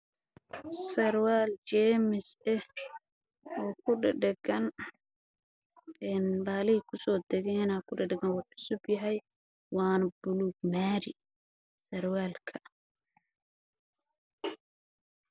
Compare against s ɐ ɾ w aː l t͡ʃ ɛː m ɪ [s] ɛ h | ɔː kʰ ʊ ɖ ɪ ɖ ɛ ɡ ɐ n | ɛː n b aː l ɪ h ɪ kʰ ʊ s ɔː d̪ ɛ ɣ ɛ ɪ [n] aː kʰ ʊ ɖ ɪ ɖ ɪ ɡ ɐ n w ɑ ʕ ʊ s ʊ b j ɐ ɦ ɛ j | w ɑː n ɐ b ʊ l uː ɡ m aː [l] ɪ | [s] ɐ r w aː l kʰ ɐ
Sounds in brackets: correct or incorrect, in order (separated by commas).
correct, correct, incorrect, correct